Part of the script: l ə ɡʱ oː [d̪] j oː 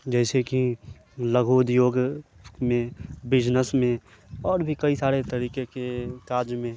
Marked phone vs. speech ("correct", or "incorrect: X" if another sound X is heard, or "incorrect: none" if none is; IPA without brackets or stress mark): correct